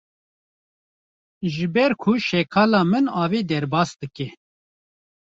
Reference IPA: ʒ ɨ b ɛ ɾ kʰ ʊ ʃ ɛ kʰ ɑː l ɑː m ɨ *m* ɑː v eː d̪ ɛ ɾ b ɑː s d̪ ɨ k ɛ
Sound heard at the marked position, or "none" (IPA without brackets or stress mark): n